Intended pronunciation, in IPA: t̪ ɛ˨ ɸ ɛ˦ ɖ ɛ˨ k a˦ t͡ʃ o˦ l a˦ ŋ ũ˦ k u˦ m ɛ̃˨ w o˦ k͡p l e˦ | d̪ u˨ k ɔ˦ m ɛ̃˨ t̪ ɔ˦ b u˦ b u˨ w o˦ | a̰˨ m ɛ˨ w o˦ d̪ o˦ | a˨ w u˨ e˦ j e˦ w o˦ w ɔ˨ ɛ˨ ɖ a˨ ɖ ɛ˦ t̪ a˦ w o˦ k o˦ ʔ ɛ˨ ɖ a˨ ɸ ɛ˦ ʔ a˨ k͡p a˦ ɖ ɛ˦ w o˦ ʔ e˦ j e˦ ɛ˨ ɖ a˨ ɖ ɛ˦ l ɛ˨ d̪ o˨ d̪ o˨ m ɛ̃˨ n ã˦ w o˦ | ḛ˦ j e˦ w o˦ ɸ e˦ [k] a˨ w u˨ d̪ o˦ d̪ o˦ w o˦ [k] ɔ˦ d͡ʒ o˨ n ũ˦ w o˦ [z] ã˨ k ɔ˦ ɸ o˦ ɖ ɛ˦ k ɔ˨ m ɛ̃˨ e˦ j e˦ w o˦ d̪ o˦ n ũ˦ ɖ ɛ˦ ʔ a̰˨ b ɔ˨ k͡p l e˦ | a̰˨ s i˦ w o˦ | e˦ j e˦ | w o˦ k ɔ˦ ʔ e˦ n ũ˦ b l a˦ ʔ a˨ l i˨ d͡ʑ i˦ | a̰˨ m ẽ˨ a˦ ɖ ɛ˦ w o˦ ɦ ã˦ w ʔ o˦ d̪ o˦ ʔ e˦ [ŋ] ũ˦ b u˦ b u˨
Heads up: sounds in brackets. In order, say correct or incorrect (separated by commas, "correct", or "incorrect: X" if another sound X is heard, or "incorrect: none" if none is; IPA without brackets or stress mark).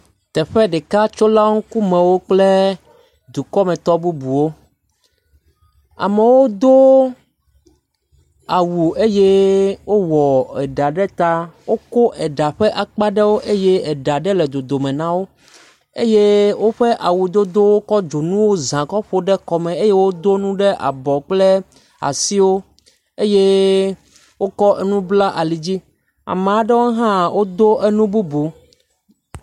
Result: incorrect: ʔ, correct, correct, incorrect: n